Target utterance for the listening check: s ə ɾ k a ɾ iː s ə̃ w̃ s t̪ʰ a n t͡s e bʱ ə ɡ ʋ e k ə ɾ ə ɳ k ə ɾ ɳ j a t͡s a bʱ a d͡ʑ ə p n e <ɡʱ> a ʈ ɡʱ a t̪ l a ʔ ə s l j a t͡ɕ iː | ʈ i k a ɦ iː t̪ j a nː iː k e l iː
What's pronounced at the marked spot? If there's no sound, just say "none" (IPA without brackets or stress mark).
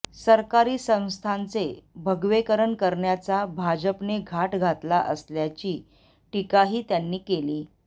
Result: ɡʱ